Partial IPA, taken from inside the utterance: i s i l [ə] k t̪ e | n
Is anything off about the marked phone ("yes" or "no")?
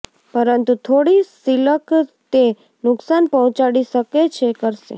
no